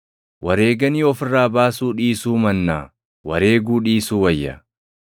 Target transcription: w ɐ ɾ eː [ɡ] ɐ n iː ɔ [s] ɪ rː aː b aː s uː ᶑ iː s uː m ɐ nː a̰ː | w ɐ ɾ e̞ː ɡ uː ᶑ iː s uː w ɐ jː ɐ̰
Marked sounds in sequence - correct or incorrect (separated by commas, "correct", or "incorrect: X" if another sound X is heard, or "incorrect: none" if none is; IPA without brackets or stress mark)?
correct, incorrect: f